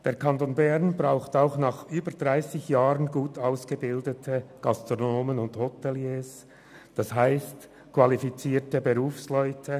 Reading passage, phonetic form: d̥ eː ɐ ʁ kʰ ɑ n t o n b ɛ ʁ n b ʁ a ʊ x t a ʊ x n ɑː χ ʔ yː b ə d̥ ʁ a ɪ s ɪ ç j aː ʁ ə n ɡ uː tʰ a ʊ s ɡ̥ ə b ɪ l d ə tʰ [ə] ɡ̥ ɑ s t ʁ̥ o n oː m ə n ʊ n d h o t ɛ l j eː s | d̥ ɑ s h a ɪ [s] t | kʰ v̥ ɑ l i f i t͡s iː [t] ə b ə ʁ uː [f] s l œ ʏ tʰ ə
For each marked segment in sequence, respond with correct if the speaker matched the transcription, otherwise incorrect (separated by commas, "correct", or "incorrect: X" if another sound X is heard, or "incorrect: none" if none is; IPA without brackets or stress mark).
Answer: correct, correct, correct, correct